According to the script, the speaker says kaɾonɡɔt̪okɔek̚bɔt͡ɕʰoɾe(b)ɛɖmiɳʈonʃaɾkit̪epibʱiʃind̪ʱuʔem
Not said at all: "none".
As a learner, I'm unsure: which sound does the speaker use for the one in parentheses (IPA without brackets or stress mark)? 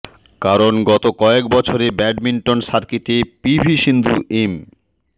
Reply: b